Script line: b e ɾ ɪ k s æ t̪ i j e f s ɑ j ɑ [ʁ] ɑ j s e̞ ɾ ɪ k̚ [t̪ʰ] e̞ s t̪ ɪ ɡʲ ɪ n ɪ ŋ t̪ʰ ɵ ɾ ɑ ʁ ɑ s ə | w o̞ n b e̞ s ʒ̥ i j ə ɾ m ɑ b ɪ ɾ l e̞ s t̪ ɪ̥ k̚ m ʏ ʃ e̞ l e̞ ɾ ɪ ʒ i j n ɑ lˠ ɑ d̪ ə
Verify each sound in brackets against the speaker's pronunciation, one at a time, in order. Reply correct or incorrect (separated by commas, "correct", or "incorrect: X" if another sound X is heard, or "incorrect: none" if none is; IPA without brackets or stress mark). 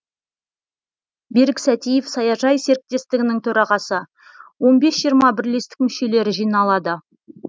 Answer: incorrect: ʒ, incorrect: t̪